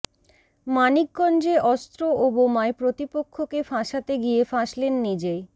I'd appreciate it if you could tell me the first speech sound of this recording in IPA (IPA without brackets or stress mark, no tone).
m